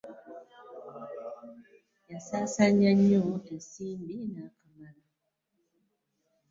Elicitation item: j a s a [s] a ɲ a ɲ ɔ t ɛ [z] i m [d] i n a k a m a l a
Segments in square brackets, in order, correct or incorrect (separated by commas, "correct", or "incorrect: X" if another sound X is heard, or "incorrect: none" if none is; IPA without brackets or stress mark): correct, incorrect: s, incorrect: b